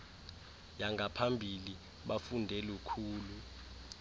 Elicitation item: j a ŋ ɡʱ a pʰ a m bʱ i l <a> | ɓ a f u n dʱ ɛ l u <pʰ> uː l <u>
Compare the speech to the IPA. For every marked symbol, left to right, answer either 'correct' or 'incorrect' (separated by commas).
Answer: incorrect, incorrect, correct